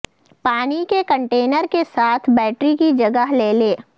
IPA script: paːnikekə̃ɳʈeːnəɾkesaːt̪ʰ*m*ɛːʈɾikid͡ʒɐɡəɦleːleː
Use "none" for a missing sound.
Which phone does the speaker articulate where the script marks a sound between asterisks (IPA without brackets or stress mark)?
b